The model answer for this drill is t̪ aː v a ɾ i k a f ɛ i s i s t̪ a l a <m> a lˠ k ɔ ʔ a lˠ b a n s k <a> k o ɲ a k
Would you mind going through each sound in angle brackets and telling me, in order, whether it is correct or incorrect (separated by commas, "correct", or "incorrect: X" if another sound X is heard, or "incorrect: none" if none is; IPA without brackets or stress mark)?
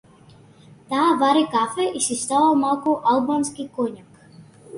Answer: correct, incorrect: i